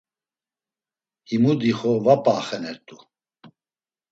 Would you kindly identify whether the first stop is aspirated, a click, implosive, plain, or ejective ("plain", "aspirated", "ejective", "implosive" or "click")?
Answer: plain